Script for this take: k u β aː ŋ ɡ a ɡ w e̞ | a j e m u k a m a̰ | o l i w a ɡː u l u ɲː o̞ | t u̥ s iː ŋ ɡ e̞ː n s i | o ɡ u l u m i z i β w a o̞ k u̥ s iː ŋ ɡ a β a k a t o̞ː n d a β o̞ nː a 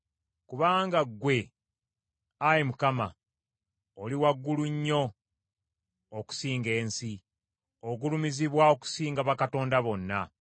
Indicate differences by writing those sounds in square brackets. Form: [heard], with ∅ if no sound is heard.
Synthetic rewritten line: k u β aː ŋ ɡ a ɡ w e̞ | a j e m u k a m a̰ | o l i w a ɡː u l u ɲː o̞ | [k] u̥ s iː ŋ ɡ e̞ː n s i | o ɡ u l u m i z i β w a o̞ k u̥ s iː ŋ ɡ a β a k a t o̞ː n d a β o̞ nː a